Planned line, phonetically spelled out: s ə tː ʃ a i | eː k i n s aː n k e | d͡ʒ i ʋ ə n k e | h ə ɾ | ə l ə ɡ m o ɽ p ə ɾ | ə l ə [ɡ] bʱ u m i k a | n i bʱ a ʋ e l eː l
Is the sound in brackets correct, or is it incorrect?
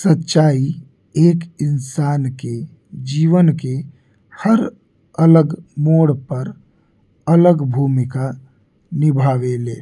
correct